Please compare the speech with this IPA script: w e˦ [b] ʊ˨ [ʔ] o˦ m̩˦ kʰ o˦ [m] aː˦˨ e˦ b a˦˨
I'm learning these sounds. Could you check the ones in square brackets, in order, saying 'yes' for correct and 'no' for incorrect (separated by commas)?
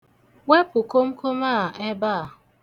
no, no, yes